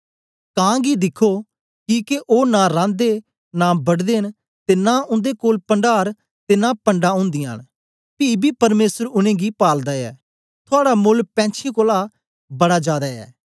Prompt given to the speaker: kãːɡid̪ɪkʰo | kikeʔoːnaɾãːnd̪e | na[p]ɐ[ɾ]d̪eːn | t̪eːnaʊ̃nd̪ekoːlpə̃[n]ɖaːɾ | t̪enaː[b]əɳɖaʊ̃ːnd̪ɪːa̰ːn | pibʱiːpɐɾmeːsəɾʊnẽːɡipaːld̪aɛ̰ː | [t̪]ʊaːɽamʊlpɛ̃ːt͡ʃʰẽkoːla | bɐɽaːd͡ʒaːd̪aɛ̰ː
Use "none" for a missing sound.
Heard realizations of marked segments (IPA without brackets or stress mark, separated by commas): b, ɽ, ɳ, p, t̪ʰ